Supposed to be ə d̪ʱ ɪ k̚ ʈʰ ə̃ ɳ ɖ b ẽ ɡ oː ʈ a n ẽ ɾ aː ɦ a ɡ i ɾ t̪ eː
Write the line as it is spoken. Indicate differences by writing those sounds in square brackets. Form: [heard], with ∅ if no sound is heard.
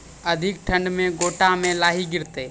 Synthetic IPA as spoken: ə d̪ʱ ɪ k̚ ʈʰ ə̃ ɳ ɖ [m] ẽ ɡ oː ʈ a [m] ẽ [l] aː ɦ [i] ɡ [ɪ] ɾ t̪ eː